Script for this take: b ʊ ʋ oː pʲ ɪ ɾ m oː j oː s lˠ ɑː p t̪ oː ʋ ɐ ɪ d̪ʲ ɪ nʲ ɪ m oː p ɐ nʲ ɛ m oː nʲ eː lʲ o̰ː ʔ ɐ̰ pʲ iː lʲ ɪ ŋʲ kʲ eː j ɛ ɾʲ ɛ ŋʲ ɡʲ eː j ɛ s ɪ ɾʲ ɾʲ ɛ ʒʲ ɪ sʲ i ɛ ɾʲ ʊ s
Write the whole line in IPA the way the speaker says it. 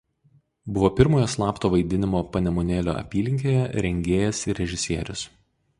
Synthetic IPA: b ʊ ʋ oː pʲ ɪ ɾ m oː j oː s lˠ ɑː p t̪ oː ʋ ɐ ɪ d̪ʲ ɪ nʲ ɪ m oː p ɐ nʲ ɛ m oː nʲ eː lʲ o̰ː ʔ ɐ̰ pʲ iː lʲ ɪ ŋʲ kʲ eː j ɛ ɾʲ ɛ ŋʲ ɡʲ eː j ɛ s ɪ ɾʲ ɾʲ ɛ ʒʲ ɪ sʲ i ɛ ɾʲ ʊ s